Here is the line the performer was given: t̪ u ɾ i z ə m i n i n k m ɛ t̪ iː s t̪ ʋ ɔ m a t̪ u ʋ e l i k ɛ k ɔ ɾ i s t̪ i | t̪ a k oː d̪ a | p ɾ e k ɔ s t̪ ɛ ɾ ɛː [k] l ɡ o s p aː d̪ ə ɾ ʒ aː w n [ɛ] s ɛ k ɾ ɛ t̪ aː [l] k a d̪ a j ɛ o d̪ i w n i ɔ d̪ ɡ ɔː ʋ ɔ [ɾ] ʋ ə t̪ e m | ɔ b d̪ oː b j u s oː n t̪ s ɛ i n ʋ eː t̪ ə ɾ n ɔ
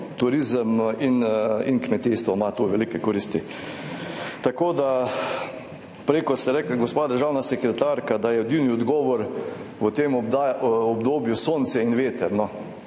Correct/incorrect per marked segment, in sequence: correct, incorrect: a, incorrect: ɾ, correct

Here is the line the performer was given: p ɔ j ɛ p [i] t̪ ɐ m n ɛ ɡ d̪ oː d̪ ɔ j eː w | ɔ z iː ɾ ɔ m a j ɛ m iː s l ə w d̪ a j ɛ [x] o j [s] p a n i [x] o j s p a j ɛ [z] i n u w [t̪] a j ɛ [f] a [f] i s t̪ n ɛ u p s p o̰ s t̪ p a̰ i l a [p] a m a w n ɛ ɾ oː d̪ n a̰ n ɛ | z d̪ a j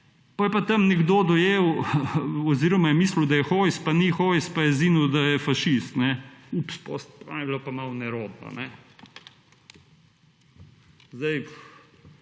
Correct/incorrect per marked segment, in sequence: incorrect: a, correct, correct, correct, correct, incorrect: d̪, correct, incorrect: ʃ, correct

